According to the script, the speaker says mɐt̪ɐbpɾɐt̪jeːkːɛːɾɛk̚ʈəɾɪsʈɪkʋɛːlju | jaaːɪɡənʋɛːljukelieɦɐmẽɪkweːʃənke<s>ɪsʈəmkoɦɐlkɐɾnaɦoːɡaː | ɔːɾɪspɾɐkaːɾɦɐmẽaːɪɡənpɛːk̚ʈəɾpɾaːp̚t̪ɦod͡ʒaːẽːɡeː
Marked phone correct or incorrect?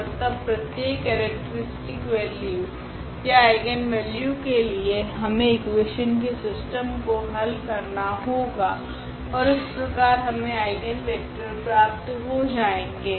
correct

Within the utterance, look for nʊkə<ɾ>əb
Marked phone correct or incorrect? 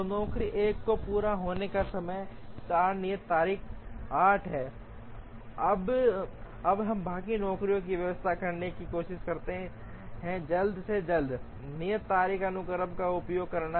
correct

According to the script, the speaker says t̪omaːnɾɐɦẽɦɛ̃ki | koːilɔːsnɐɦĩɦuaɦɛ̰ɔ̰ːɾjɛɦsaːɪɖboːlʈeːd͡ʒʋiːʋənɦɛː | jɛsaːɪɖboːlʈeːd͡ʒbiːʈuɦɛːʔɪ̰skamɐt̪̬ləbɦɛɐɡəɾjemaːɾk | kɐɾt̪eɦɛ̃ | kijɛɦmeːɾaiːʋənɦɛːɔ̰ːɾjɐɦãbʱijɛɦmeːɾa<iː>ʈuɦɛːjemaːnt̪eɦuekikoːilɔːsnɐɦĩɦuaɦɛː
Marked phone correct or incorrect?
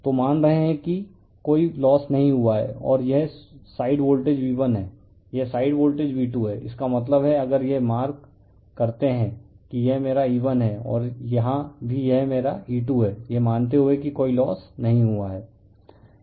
correct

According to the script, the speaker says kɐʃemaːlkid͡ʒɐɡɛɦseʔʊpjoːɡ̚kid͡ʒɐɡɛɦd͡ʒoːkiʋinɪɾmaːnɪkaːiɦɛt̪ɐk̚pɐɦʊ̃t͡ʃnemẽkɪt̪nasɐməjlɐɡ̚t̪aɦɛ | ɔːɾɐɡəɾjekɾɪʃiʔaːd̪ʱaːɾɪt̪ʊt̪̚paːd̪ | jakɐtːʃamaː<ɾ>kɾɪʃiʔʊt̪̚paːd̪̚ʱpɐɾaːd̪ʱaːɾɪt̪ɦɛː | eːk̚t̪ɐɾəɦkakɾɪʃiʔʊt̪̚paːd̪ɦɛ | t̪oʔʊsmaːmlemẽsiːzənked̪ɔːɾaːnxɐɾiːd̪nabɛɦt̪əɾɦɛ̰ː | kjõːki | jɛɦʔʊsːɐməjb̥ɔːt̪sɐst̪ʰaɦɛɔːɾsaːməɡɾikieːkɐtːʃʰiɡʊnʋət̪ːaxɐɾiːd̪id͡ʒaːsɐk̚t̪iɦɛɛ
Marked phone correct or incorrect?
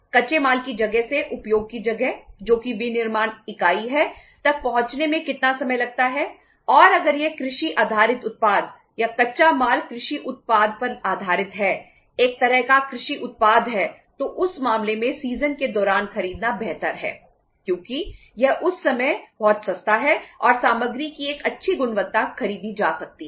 incorrect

